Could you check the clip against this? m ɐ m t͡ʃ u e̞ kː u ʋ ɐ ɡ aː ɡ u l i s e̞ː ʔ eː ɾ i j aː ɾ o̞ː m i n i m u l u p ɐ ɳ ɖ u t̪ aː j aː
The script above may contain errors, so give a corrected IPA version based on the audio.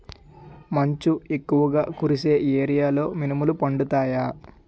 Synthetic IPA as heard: m ɐ ɲ t͡ʃ u e̞ kː u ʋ ɐ ɡ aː k u ɾ i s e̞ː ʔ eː ɾ i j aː l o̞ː m i n i m u l u p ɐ ɳ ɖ u t̪ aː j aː